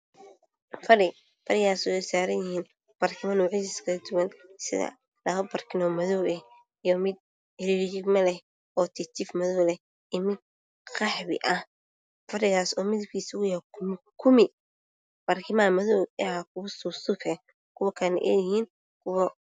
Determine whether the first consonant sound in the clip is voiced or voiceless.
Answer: voiceless